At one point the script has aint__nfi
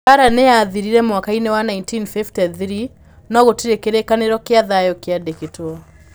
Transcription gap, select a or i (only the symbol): i